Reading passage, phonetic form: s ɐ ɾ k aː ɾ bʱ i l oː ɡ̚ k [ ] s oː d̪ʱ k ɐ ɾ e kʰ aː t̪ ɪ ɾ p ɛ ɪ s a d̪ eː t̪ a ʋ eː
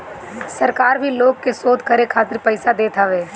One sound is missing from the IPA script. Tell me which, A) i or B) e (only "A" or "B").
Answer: B